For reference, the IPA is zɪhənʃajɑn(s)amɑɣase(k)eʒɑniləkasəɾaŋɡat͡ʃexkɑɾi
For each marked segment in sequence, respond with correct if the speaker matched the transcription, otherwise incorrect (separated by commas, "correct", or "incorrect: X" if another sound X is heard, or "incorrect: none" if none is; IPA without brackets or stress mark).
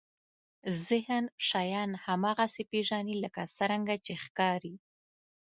incorrect: h, incorrect: p